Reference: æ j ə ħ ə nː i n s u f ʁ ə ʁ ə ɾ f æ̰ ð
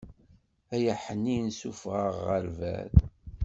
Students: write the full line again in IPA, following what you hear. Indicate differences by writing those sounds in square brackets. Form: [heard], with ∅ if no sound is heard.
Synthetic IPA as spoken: æ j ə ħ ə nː i n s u f ʁ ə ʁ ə ɾ [v] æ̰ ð

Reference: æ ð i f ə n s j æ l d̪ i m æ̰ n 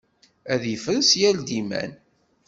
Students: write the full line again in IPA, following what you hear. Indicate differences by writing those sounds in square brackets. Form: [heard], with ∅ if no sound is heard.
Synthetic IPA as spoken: æ ð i f ə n s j æ l d̪ i m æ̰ n

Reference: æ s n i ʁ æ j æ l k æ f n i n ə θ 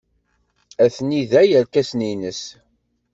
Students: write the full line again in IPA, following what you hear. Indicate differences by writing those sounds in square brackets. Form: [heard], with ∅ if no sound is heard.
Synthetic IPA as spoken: æ [θ] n i [ð] æ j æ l k æ [s] n i n ə [s]

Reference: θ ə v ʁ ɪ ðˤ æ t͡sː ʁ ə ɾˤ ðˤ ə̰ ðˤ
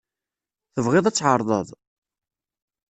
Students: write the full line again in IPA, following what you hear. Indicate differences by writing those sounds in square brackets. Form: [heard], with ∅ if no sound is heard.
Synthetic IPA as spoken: θ ə v ʁ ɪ ðˤ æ t͡sː [ʕ] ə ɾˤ ðˤ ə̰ ðˤ

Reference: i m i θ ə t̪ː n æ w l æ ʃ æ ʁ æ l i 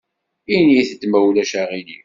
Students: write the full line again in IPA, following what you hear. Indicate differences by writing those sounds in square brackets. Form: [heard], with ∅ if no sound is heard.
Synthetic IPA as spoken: i [n] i θ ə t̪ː [m] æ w l æ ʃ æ ʁ [i] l i

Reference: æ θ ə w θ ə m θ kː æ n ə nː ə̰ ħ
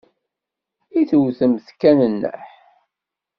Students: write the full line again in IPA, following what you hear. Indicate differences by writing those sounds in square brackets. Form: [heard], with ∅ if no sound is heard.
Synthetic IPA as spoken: [i] θ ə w θ ə m θ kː æ n ə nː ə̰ ħ

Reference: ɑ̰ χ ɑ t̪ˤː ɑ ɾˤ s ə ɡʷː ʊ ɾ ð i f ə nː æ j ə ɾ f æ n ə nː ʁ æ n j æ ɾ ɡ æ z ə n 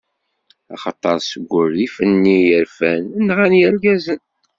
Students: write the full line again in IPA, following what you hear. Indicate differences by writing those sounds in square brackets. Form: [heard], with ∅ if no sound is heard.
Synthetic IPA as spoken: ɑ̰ χ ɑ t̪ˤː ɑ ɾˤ s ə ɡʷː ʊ ɾ ð i f ə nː [i] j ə ɾ f æ n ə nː ʁ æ n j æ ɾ ɡ æ z ə n

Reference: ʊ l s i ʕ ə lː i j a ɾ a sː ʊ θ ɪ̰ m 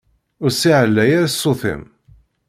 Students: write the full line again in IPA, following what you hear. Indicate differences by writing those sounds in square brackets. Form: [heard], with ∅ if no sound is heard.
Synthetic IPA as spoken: ʊ [ɾ] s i ʕ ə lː [æ] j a ɾ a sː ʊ θ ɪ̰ m

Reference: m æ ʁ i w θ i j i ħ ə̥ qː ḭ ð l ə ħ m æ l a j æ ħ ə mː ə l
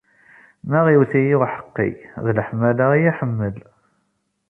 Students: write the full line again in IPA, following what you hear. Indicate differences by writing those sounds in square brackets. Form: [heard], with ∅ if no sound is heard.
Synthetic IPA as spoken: m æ ʁ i w θ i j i ħ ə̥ qː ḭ ð l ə ħ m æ l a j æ ħ ə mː ə l

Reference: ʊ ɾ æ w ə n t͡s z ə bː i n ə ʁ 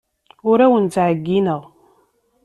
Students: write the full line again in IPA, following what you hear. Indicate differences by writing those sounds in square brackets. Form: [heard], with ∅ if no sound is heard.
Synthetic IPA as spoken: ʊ ɾ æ w ə n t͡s [ʕ] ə [ɡː] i n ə ʁ

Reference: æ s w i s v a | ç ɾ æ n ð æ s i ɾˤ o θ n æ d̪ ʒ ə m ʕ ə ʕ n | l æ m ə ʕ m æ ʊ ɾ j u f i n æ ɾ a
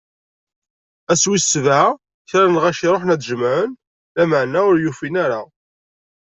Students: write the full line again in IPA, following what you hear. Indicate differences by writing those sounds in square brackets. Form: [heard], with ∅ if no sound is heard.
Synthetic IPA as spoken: æ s w i s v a | ç ɾ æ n [ʁ] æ [ʃ] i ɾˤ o [ħ] n æ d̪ ʒ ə m ʕ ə [∅] n | l æ m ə ʕ [n] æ ʊ ɾ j u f i n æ ɾ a

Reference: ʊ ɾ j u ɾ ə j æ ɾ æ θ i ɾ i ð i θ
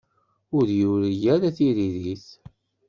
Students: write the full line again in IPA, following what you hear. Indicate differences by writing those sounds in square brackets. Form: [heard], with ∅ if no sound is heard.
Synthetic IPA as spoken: ʊ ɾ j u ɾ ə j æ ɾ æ θ i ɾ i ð i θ

